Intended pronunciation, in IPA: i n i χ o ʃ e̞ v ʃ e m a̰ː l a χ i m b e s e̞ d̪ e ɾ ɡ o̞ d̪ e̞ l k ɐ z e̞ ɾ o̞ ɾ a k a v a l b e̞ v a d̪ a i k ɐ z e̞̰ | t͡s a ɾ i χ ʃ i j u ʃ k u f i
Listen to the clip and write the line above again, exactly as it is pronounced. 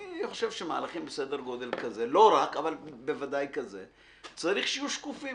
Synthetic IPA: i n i χ o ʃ e̞ v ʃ e m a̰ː l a χ i m b e s e̞ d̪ e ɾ ɡ o̞ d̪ e̞ l k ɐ z e̞ l o̞ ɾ a k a v a l b e̞ v a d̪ a j k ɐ z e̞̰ | t͡s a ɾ i χ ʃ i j u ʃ k u f i